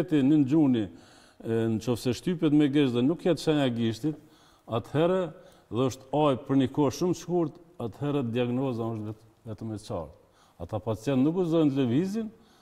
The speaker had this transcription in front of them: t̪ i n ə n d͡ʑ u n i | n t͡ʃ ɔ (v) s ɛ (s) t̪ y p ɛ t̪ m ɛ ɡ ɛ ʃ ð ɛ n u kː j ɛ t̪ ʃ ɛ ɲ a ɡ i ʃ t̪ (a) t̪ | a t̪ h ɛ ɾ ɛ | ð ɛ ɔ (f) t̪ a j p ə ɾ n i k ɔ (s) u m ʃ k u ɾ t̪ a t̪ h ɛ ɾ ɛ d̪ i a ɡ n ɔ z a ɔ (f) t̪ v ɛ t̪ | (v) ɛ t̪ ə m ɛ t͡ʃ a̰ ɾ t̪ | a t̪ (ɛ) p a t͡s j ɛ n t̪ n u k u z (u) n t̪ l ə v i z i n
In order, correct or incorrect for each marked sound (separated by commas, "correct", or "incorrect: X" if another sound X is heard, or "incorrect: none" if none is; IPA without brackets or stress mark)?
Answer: incorrect: f, incorrect: ʃ, incorrect: i, incorrect: ʃ, incorrect: ʃ, incorrect: ʃ, correct, incorrect: a, incorrect: ɔ